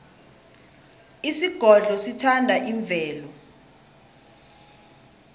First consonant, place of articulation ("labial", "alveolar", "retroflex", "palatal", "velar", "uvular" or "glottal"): alveolar